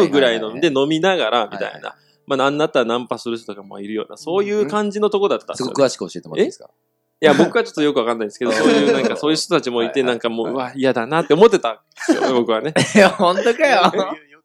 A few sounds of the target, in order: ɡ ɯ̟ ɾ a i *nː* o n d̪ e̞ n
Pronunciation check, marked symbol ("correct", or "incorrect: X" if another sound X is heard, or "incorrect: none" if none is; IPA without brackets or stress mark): incorrect: n